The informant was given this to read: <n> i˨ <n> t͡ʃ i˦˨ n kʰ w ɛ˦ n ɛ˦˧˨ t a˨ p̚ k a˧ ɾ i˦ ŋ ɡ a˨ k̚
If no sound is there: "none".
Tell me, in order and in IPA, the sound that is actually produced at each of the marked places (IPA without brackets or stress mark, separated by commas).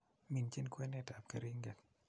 m, n